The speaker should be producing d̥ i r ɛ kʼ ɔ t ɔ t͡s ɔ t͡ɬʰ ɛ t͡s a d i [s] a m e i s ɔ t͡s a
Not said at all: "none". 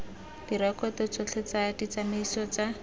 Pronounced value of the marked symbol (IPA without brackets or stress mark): t͡s